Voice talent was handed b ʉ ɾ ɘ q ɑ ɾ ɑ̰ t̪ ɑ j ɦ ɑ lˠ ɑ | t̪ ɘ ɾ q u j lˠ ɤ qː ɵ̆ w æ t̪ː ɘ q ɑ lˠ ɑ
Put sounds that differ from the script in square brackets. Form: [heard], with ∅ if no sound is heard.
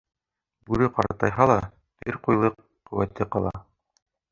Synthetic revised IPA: b ʉ ɾ ɘ q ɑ ɾ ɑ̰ t̪ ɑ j ɦ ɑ lˠ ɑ | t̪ ɘ ɾ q u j lˠ ɤ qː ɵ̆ w æ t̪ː ɘ q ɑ lˠ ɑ

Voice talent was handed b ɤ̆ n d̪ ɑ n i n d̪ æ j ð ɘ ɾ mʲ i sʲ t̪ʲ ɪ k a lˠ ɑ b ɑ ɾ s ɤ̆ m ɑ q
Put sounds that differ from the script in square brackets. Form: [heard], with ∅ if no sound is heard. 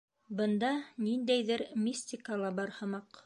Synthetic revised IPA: b ɤ̆ n d̪ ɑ n i n d̪ æ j ð ɘ ɾ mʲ i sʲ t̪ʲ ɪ k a lˠ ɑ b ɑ ɾ [h] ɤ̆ m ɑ q

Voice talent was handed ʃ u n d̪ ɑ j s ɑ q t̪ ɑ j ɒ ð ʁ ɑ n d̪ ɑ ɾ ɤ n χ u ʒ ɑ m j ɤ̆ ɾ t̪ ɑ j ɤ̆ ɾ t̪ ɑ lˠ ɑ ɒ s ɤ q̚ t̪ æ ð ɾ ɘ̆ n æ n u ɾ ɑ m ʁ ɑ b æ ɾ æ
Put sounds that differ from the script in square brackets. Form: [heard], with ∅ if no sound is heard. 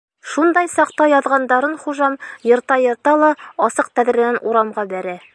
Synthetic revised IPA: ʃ u n d̪ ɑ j s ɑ q t̪ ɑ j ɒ ð ʁ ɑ n d̪ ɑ ɾ ɤ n χ u ʒ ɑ m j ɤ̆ ɾ t̪ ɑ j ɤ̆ ɾ t̪ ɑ lˠ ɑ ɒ s ɤ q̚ t̪ æ ð ɾ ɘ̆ n æ n u ɾ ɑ m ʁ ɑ b æ ɾ æ

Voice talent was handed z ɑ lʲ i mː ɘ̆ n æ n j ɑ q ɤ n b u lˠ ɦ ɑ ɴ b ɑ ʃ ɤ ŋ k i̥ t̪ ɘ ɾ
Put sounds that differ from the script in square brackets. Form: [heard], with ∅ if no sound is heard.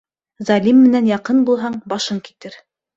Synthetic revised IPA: z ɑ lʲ i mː ɘ̆ n æ n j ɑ q ɤ n b u lˠ ɦ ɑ ɴ b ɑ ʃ ɤ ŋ k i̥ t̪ ɘ ɾ

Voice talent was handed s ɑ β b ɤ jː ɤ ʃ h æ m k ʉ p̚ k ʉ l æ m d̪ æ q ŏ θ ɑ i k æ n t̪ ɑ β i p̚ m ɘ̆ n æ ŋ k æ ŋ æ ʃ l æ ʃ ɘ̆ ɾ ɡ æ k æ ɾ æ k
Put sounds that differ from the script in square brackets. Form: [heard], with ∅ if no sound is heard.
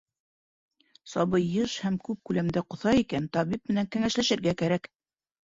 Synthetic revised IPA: s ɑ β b ɤ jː ɤ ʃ h æ m k ʉ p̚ k ʉ l æ m d̪ æ q ŏ θ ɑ i k æ n t̪ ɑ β i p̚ m ɘ̆ n æ ŋ k æ ŋ æ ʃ l æ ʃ ɘ̆ ɾ ɡ æ k æ ɾ æ k

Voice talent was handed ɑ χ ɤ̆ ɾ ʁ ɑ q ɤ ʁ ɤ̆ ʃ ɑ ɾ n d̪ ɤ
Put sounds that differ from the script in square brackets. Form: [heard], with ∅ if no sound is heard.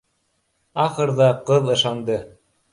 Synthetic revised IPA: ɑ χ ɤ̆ ɾ [ð] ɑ q ɤ [ð] ɤ̆ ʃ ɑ [∅] n d̪ ɤ

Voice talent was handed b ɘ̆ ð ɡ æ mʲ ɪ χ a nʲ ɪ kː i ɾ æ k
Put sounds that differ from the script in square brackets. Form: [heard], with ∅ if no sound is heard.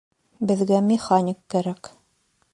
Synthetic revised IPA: b ɘ̆ ð ɡ æ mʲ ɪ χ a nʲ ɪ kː [æ] ɾ æ k

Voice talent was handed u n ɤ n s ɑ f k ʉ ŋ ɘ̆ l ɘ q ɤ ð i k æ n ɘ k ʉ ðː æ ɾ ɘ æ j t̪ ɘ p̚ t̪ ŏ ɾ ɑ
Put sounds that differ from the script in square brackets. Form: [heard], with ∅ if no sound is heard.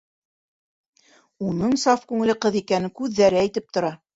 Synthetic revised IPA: u n ɤ [ɴ] s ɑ f k ʉ ŋ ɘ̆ l ɘ q ɤ ð i k æ n ɘ k ʉ ðː æ ɾ ɘ æ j t̪ ɘ p̚ t̪ ŏ ɾ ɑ

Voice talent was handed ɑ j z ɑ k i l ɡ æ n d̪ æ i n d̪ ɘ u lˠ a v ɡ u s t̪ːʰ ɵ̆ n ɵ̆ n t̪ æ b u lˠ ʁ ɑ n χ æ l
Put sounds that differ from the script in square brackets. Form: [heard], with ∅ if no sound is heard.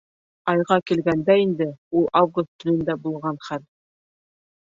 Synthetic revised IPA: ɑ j [ʁ] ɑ k i l ɡ æ n d̪ æ i n d̪ ɘ u lˠ a v ɡ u s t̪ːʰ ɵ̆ n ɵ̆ n [d̪] æ b u lˠ ʁ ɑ n χ æ l

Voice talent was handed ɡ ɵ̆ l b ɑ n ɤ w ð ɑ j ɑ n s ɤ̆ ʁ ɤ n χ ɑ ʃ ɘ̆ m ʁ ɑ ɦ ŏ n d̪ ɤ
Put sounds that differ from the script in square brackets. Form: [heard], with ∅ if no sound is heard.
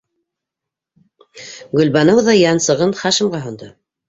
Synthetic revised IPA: ɡ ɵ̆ l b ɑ n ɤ w ð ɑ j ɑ n s ɤ̆ ʁ ɤ n χ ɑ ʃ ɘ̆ m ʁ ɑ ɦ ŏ n d̪ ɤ

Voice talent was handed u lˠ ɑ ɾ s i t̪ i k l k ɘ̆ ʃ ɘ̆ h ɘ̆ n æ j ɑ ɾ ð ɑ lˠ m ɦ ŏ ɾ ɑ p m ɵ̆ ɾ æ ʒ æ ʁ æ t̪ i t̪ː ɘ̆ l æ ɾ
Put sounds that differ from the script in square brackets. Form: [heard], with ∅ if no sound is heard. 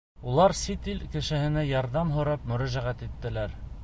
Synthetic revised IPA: u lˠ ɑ ɾ s i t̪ i [∅] l k ɘ̆ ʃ ɘ̆ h ɘ̆ n æ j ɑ ɾ ð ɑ [∅] m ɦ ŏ ɾ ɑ p m ɵ̆ ɾ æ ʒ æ ʁ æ t̪ i t̪ː ɘ̆ l æ ɾ

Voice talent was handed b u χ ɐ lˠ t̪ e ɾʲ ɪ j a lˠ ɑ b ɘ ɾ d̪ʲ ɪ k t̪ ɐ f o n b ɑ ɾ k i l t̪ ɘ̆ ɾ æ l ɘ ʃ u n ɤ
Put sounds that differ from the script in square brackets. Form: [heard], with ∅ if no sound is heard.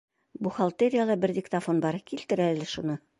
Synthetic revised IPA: b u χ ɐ lˠ t̪ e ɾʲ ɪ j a lˠ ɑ b ɘ ɾ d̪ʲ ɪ k t̪ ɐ f o n b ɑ ɾ k i l t̪ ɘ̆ ɾ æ l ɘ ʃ u n ɤ

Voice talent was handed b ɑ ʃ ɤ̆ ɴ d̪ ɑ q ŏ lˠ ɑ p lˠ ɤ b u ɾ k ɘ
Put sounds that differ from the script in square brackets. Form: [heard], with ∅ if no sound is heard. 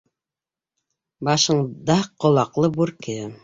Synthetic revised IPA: b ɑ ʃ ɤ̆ ɴ d̪ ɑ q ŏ lˠ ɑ [q] lˠ ɤ b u ɾ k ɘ

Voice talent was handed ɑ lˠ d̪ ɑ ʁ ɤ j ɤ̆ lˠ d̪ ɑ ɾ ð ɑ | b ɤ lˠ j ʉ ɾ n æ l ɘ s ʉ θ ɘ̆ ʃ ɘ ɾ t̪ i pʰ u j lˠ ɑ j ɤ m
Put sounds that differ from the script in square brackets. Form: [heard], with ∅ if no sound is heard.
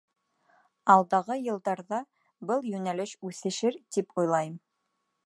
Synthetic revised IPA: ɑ lˠ d̪ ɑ ʁ ɤ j ɤ̆ lˠ d̪ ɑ ɾ ð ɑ | b ɤ lˠ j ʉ [∅] n æ l ɘ [ʃ] ʉ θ ɘ̆ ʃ ɘ ɾ t̪ i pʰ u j lˠ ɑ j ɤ m

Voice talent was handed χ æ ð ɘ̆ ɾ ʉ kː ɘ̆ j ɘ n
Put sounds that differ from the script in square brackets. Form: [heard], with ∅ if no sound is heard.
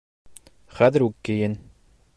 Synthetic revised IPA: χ æ ð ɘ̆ ɾ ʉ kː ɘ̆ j ɘ n

